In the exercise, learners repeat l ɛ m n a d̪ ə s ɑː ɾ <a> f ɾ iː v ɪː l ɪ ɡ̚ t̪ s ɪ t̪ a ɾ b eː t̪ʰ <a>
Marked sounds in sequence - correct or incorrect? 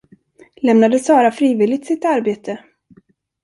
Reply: correct, incorrect

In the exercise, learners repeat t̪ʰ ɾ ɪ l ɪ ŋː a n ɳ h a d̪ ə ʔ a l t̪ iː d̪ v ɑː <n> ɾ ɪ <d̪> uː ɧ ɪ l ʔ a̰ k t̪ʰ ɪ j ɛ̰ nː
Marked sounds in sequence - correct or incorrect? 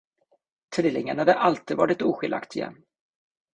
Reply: incorrect, incorrect

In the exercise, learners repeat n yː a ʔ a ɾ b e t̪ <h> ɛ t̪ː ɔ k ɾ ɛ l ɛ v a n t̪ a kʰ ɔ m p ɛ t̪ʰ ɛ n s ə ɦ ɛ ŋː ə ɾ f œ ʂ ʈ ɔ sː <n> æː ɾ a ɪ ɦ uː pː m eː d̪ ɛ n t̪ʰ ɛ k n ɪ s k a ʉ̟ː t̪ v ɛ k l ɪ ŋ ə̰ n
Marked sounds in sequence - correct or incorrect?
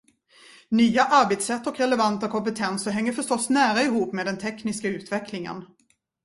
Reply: incorrect, correct

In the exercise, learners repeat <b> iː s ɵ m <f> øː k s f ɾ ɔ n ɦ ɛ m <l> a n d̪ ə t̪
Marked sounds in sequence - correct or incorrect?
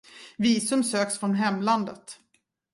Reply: incorrect, incorrect, correct

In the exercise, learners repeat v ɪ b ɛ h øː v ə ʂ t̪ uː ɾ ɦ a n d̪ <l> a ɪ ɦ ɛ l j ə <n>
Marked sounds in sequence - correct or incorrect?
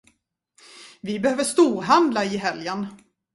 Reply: correct, correct

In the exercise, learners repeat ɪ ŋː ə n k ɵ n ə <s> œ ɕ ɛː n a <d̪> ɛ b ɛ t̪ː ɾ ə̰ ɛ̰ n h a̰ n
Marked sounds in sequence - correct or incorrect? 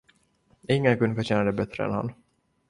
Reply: incorrect, correct

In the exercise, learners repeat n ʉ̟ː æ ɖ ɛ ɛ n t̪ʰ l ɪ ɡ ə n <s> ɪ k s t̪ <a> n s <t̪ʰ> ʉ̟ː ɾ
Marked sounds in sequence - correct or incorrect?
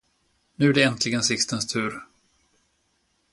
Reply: correct, incorrect, correct

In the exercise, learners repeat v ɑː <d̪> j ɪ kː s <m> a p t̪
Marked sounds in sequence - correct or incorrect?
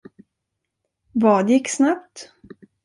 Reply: correct, incorrect

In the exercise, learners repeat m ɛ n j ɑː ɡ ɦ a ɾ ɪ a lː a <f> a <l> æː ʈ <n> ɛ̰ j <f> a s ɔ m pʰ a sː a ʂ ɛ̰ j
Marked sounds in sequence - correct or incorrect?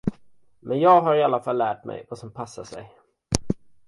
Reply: correct, incorrect, incorrect, incorrect

